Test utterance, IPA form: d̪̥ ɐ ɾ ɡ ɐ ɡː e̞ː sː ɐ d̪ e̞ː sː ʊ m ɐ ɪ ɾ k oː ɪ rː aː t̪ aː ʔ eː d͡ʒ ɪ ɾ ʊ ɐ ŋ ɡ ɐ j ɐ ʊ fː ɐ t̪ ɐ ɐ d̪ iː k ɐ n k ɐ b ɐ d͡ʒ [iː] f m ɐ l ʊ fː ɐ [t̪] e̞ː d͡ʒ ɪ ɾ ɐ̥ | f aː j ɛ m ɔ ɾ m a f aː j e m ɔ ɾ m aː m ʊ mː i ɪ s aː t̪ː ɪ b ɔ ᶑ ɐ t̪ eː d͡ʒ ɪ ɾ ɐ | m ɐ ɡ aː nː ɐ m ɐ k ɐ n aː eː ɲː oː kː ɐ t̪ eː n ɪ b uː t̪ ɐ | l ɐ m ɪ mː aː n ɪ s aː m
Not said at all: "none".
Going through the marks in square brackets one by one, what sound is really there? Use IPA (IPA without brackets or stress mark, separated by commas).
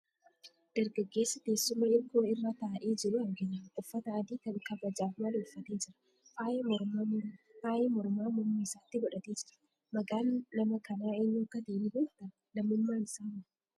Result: aː, t̪